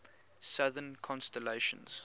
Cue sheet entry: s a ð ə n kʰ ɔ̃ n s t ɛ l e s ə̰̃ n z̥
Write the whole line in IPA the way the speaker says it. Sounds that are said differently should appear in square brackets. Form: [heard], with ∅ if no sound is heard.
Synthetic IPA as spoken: s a ð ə n kʰ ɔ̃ n s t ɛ l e [ʃ] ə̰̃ n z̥